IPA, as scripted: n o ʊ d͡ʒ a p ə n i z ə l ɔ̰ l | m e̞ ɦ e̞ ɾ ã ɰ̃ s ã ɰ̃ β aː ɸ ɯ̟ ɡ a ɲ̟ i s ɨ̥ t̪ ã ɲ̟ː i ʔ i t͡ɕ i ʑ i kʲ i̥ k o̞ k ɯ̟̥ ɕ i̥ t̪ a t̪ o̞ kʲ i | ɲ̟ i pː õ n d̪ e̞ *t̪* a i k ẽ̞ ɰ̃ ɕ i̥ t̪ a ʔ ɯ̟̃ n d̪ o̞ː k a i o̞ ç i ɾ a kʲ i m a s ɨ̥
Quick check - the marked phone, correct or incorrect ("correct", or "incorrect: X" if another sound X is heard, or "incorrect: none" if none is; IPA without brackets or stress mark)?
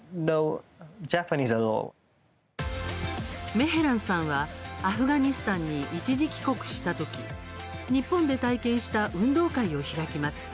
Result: correct